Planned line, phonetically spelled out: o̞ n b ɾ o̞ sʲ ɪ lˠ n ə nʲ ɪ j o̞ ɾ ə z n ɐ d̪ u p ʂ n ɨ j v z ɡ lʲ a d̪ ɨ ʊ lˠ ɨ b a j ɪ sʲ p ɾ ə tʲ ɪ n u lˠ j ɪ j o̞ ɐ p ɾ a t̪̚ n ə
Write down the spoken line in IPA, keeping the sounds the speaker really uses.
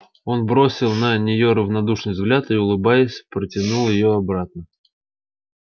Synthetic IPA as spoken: o̞ n b ɾ o̞ sʲ ɪ lˠ n ə nʲ ɪ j o̞ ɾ ə v n ɐ d̪ u ʂ n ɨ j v z ɡ lʲ a t̪ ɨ ʊ lˠ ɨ b a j ɪ sʲ p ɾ ə tʲ ɪ n u lˠ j ɪ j o̞ ɐ b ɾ a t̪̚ n ə